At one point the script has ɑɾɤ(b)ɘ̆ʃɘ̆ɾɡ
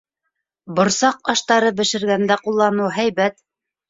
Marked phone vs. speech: correct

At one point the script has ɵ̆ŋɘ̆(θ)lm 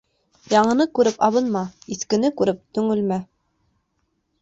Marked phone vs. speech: incorrect: none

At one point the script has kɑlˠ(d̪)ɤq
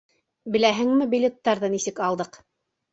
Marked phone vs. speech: correct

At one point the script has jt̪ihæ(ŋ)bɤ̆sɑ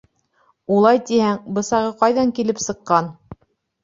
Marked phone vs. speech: correct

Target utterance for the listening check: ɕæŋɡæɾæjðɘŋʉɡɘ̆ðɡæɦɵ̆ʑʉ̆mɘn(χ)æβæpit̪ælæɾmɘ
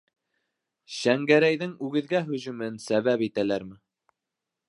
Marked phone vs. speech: incorrect: s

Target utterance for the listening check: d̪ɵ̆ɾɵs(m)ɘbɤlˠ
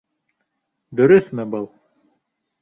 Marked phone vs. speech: correct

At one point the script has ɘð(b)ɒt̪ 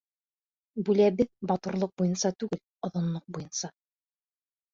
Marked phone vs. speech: correct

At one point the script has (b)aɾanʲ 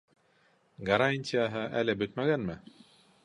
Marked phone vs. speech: incorrect: ɡ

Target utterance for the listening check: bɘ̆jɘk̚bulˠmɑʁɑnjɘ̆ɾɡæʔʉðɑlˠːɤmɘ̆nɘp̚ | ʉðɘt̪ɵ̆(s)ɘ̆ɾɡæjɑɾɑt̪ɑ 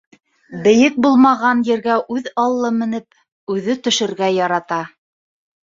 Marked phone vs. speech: incorrect: ʃ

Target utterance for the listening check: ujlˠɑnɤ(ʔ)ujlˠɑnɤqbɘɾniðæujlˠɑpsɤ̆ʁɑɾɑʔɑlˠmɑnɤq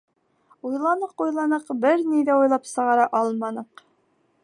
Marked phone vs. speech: incorrect: q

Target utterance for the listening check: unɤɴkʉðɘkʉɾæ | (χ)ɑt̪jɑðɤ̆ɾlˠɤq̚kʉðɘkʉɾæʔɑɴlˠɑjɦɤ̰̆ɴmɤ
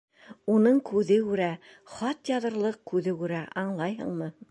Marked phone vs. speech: correct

